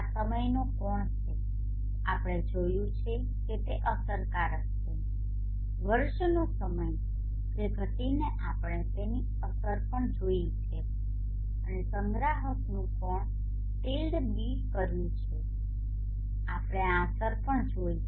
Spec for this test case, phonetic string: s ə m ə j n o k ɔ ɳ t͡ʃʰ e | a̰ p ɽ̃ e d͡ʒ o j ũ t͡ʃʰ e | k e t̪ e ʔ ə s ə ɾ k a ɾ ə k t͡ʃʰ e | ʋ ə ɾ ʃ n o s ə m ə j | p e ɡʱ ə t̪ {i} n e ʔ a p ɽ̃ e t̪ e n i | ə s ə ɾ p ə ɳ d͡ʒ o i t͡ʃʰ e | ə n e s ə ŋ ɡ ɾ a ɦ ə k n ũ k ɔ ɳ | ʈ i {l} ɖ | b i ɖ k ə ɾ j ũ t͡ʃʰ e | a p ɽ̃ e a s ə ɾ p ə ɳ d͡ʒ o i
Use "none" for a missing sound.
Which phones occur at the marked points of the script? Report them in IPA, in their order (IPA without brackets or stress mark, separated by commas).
i, l